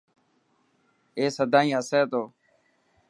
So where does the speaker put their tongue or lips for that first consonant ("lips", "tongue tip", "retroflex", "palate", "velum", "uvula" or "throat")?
tongue tip